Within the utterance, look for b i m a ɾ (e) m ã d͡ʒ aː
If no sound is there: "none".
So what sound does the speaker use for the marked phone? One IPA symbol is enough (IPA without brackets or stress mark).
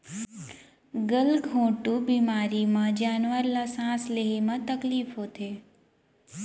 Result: i